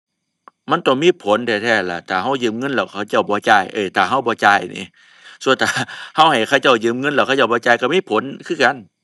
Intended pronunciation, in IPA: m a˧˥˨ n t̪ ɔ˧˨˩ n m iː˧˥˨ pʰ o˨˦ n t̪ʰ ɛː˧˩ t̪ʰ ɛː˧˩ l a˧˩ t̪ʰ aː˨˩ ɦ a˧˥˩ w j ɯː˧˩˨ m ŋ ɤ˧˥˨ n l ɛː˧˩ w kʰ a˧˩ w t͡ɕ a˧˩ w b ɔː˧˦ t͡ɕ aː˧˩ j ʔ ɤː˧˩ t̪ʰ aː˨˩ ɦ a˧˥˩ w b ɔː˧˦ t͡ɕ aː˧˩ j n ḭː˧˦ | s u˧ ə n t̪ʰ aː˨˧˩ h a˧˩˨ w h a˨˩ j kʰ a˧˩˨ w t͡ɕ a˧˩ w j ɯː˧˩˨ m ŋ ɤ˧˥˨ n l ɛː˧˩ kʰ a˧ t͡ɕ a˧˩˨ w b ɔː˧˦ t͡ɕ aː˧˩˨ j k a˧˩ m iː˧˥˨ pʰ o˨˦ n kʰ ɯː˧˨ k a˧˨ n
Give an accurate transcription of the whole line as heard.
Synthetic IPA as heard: m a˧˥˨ n t̪ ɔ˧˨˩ ŋ m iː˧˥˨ pʰ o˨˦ n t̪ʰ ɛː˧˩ t̪ʰ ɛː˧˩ l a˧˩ t̪ʰ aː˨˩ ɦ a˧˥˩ w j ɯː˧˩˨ m ŋ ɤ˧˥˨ n l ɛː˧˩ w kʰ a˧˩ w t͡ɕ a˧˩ w b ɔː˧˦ t͡ɕ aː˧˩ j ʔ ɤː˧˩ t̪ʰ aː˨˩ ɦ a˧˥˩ w b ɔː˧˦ t͡ɕ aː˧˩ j n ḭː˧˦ | s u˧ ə n t̪ʰ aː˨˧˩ h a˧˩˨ w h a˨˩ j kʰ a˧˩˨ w t͡ɕ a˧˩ w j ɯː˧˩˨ m ŋ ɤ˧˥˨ n l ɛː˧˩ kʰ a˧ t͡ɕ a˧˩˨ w b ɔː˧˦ t͡ɕ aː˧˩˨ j k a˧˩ m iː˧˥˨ pʰ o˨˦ n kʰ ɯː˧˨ k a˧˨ n